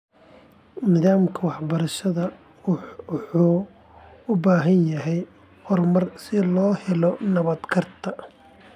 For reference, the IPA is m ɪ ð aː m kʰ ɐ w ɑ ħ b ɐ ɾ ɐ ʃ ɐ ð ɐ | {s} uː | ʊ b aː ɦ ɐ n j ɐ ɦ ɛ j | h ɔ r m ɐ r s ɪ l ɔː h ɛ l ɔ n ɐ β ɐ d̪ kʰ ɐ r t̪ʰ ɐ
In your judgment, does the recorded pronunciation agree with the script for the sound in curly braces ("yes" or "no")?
no